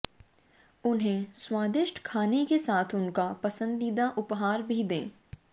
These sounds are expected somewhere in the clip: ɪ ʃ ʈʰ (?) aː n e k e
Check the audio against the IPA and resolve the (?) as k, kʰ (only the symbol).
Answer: kʰ